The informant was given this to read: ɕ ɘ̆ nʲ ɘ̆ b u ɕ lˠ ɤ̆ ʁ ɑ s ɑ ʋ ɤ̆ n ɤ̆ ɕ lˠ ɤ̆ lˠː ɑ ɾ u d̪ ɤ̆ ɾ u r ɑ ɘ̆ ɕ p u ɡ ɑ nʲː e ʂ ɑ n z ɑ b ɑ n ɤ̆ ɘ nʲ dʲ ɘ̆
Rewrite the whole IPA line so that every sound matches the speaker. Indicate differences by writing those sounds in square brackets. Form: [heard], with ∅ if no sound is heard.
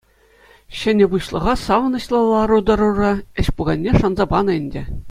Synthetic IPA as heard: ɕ ɘ̆ nʲ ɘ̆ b u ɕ lˠ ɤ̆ ʁ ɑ s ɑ ʋ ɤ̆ n ɤ̆ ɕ lˠ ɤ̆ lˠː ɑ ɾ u d̪ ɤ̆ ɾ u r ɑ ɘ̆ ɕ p u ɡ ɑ nʲː e ʂ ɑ n z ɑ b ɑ n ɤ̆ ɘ nʲ dʲ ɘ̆

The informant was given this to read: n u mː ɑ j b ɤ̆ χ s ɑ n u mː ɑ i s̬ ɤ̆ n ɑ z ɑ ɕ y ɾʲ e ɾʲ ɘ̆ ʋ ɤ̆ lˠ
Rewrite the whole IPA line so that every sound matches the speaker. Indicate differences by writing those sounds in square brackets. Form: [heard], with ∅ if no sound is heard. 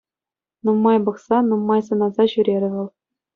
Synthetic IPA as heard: n u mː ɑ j b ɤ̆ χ s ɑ n u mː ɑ [j] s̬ ɤ̆ n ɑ z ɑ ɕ y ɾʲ e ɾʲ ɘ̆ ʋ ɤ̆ lˠ

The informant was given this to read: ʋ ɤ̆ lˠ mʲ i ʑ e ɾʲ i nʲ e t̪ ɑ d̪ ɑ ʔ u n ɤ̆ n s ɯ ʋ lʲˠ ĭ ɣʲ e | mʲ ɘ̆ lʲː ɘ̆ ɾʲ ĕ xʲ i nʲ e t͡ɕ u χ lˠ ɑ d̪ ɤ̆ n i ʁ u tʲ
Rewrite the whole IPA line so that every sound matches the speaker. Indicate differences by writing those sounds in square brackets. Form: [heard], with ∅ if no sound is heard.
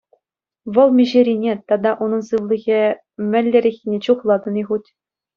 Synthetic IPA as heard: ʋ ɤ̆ lˠ mʲ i ʑ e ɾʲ i nʲ e t̪ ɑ d̪ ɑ ʔ u n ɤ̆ n s ɯ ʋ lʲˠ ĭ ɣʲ e | mʲ ɘ̆ lʲː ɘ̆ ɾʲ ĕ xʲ i nʲ e t͡ɕ u χ lˠ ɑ d̪ ɤ̆ n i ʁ u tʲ

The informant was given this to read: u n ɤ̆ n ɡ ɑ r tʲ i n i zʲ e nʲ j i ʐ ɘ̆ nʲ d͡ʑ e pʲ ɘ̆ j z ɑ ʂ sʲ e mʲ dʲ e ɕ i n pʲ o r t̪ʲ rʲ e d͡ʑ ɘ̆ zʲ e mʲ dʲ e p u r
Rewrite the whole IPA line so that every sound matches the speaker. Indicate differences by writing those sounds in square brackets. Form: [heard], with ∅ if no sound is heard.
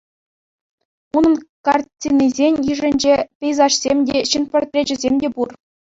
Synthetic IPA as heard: u n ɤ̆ n [k] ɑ r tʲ i n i zʲ e nʲ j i ʐ ɘ̆ nʲ d͡ʑ e pʲ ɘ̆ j z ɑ ʂ sʲ e mʲ dʲ e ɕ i n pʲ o r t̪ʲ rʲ e d͡ʑ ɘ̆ zʲ e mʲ dʲ e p u r

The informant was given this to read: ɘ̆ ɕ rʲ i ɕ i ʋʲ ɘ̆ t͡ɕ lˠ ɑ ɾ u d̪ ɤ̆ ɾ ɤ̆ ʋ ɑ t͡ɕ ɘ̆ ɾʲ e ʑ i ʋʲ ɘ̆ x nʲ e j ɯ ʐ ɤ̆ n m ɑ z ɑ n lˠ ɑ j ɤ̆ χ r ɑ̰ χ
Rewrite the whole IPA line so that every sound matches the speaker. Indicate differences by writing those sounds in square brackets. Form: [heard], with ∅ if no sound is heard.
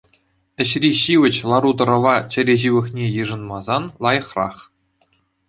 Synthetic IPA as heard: ɘ̆ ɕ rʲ i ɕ i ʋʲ ɘ̆ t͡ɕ lˠ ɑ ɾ u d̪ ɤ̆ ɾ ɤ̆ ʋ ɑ t͡ɕ ɘ̆ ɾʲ e ʑ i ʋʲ ɘ̆ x nʲ e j ɯ ʐ ɤ̆ n m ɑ z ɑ n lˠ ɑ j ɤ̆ χ r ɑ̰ χ

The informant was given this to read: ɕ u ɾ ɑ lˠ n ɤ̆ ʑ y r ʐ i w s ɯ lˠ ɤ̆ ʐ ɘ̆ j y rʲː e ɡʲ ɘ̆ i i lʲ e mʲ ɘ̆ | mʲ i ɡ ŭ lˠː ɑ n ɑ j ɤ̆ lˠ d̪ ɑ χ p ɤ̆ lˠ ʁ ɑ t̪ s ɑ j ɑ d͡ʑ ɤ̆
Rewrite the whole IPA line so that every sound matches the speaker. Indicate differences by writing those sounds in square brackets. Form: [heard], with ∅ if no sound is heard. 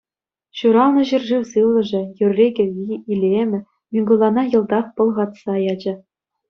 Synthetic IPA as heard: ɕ u ɾ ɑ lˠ n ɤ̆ ʑ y r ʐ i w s ɯ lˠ ɤ̆ ʐ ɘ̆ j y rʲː e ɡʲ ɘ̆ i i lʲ e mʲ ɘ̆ | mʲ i ɡ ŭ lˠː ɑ n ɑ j ɤ̆ lˠ d̪ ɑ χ p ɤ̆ lˠ ʁ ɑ t̪ s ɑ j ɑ d͡ʑ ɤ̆

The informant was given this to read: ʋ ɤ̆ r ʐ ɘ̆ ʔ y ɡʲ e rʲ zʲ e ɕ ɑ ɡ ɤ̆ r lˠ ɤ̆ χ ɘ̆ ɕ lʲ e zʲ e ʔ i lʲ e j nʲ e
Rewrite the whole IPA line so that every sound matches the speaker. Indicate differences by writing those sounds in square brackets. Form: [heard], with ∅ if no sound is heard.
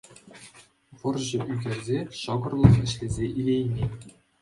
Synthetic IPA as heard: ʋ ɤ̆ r [ʑ] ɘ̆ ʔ y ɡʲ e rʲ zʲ e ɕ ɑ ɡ ɤ̆ r lˠ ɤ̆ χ ɘ̆ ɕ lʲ e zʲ e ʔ i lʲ e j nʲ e

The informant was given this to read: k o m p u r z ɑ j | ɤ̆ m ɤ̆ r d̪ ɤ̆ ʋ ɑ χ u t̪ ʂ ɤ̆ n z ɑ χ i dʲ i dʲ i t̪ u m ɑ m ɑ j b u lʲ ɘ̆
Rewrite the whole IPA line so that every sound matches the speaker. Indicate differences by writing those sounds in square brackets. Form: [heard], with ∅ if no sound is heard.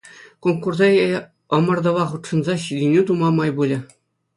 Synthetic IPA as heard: k o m [k] u r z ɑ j | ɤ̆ m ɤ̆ r d̪ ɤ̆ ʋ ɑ χ u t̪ ʂ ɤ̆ n z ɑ [ɕ] i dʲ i [nʲ] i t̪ u m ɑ m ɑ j b u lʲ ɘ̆

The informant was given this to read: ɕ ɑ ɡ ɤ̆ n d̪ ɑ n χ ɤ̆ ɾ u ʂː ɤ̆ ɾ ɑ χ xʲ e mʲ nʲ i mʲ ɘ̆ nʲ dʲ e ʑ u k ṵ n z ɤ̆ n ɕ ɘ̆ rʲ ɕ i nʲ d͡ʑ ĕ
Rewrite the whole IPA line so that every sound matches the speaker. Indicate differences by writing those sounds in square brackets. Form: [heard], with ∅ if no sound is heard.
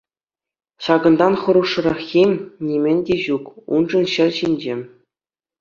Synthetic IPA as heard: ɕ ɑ ɡ ɤ̆ n d̪ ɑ n χ ɤ̆ ɾ u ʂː ɤ̆ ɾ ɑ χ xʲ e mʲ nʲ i mʲ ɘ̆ nʲ dʲ e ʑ u k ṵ n [ʐ] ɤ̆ n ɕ ɘ̆ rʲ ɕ i nʲ d͡ʑ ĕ

